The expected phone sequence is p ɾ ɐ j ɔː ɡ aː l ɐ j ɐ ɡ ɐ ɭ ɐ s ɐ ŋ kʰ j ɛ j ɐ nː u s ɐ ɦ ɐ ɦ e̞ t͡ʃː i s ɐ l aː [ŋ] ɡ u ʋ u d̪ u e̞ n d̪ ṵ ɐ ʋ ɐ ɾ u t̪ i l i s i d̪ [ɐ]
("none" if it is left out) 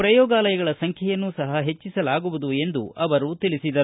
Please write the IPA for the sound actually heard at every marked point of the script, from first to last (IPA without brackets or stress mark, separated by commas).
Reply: none, ɐ